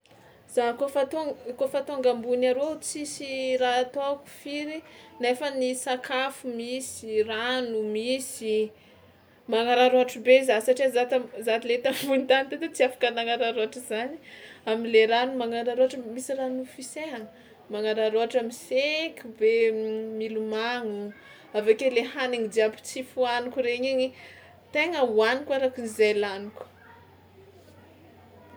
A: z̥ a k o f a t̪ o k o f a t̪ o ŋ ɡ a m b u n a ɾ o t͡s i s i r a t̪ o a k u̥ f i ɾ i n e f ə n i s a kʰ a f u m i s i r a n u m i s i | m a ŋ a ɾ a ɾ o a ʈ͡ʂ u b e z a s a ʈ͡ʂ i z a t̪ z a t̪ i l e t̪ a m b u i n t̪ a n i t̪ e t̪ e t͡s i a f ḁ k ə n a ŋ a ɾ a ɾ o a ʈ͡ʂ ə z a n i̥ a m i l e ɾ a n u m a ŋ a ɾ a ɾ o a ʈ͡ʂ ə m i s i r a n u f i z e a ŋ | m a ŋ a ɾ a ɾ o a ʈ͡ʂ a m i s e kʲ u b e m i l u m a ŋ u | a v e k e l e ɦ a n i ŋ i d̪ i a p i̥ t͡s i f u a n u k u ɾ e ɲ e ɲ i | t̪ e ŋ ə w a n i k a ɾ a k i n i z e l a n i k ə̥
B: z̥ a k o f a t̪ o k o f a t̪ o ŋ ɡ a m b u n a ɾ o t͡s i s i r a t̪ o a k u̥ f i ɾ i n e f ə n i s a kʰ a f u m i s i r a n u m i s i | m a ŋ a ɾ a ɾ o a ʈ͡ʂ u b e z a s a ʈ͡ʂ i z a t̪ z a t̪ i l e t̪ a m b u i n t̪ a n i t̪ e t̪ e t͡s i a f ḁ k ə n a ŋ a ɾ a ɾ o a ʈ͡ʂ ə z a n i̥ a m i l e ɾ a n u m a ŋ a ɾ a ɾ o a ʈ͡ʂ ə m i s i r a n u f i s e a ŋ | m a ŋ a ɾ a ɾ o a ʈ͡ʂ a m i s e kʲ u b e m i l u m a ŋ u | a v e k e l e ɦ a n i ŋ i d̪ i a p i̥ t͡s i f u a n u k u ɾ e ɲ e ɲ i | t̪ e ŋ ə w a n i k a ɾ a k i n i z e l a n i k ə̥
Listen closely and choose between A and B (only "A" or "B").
B